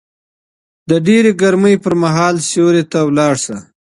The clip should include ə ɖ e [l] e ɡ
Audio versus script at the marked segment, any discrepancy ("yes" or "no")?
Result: yes